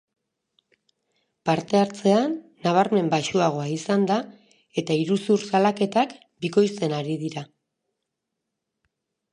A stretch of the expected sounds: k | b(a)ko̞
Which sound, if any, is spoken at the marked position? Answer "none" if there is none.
i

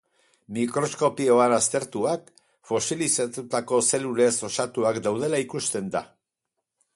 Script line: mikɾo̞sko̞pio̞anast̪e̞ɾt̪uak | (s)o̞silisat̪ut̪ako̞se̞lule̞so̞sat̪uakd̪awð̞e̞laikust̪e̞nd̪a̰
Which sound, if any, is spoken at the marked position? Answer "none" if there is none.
f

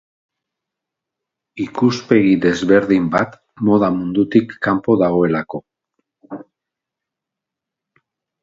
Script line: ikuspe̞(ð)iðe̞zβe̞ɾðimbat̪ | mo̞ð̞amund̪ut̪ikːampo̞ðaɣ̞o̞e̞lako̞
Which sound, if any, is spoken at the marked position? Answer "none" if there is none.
ɣ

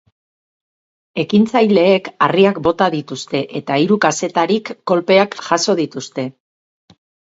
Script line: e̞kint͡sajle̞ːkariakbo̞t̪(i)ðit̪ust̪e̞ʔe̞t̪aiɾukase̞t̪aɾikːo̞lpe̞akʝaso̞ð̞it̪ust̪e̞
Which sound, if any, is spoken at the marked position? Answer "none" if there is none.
a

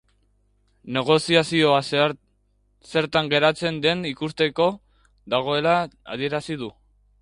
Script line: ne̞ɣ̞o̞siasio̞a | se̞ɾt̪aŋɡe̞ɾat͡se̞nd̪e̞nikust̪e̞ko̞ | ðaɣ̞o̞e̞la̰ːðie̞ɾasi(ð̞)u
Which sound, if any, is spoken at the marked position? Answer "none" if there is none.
ð̞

